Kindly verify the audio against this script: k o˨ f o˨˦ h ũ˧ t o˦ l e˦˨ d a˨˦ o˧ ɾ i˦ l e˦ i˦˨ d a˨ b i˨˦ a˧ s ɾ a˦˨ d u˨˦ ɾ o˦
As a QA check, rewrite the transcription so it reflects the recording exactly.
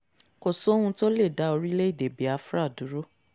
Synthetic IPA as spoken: k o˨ s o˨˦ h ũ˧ t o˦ l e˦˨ d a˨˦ o˧ ɾ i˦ l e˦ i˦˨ d e˨ b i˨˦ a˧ f ɾ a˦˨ d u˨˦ ɾ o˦